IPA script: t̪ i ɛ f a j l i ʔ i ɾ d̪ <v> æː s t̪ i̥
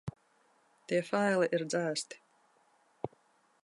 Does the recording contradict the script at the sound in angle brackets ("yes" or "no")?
yes